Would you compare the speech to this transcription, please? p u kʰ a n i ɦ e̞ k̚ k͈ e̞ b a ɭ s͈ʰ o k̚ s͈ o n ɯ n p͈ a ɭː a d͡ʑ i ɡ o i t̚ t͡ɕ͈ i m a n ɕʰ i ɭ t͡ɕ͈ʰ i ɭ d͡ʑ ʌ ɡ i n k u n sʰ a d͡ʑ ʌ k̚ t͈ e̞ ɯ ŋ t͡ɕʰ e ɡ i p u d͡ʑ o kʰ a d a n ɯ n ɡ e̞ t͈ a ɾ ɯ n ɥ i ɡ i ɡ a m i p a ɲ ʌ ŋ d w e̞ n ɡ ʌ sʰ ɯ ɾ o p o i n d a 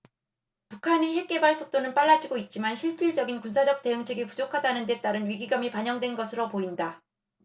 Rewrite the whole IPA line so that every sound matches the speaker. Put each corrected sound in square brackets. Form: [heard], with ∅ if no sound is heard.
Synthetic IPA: p u kʰ a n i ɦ e̞ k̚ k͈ e̞ b a ɭ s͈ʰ o k̚ [t͈] o n ɯ n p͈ a ɭː a d͡ʑ i ɡ o i t̚ t͡ɕ͈ i m a n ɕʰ i ɭ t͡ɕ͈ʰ i ɭ d͡ʑ ʌ ɡ i n k u n sʰ a d͡ʑ ʌ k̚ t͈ e̞ ɯ ŋ t͡ɕʰ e ɡ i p u d͡ʑ o kʰ a d a n ɯ n [d] e̞ t͈ a ɾ ɯ n ɥ i ɡ i ɡ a m i p a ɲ ʌ ŋ d w e̞ n ɡ ʌ sʰ ɯ ɾ o p o i n d a